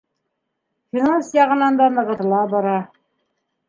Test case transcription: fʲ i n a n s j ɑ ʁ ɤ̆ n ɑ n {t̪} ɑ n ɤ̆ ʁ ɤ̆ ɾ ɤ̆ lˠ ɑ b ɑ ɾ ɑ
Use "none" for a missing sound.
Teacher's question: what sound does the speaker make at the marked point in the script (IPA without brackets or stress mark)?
d̪